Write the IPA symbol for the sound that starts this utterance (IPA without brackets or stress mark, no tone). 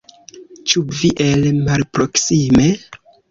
t͡ʃ